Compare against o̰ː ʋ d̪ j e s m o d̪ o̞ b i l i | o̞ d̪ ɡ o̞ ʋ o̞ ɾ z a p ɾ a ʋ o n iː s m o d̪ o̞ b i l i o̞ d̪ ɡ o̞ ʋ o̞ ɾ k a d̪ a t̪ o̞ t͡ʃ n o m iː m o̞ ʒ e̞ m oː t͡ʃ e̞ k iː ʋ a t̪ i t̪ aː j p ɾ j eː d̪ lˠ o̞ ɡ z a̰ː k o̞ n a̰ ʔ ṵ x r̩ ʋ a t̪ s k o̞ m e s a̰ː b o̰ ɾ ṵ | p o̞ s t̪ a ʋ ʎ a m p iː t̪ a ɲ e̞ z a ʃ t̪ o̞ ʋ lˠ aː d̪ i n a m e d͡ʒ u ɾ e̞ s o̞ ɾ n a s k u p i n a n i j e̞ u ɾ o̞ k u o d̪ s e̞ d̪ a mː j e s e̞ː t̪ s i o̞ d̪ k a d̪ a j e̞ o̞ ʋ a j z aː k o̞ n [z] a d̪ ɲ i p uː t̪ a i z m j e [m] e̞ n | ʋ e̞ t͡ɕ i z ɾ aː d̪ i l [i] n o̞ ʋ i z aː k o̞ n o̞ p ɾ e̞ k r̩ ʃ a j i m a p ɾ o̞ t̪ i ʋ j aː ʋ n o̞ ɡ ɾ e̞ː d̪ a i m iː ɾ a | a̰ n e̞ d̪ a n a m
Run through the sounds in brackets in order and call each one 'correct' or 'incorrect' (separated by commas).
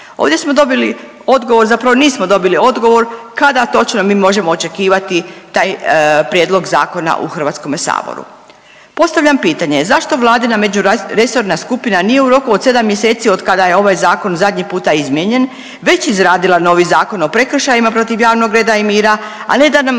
correct, incorrect, incorrect